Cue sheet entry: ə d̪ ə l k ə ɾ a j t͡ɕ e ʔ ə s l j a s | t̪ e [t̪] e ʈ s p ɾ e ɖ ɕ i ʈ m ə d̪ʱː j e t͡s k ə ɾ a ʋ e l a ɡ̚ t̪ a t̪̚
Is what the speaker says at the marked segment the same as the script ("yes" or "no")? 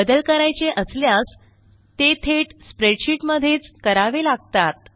no